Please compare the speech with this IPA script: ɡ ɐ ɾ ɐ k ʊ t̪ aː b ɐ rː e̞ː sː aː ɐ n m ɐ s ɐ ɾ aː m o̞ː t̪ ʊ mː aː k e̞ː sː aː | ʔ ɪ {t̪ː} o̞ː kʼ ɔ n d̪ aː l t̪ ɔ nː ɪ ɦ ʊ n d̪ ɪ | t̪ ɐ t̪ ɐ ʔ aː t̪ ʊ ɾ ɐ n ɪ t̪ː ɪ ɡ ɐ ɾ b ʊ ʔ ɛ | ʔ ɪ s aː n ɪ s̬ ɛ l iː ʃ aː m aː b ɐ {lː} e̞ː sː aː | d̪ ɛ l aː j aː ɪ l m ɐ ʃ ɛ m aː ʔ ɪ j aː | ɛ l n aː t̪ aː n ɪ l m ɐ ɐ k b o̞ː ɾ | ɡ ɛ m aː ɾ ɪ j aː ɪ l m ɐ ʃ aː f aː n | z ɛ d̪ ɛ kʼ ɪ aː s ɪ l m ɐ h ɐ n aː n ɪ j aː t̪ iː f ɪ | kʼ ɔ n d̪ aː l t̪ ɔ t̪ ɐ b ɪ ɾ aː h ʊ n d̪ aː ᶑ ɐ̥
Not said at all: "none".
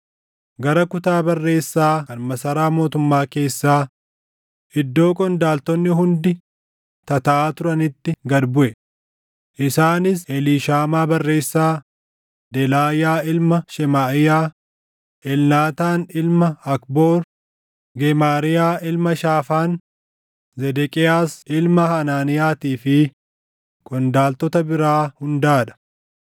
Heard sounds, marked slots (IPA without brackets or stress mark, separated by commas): d̪ː, rː